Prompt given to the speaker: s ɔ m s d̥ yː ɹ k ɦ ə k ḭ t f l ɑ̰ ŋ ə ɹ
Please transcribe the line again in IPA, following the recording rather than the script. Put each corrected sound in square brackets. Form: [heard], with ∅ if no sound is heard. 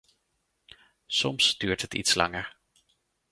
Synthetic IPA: s ɔ m s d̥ yː ɹ [t] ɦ ə [t] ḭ t [s] l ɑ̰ ŋ ə ɹ